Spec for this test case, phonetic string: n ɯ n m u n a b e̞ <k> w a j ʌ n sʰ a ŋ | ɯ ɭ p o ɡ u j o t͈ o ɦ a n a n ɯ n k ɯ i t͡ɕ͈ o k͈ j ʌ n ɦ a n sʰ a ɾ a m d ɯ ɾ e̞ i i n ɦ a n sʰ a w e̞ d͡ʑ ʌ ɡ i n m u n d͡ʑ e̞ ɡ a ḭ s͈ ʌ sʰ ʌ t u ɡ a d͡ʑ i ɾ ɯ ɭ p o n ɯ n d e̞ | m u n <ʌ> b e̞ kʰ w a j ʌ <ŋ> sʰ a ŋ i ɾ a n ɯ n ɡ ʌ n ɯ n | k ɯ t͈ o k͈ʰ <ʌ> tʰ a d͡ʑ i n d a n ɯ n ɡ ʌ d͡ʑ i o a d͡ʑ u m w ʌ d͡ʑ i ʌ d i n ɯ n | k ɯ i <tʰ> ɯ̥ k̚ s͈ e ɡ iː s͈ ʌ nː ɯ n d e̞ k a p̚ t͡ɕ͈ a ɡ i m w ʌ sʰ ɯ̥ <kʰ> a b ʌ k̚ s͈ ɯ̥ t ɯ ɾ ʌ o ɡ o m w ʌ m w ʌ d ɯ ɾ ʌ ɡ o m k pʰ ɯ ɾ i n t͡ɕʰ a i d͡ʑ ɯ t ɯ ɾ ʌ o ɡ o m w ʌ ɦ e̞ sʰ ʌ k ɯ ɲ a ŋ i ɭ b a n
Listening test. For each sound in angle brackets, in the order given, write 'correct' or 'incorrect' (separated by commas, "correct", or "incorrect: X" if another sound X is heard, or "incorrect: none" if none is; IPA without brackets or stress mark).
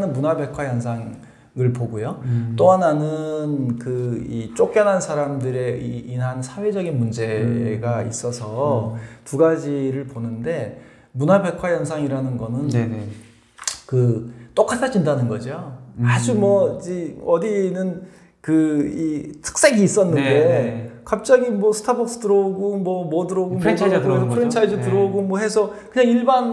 incorrect: kʰ, incorrect: a, incorrect: n, incorrect: a, correct, incorrect: tʰ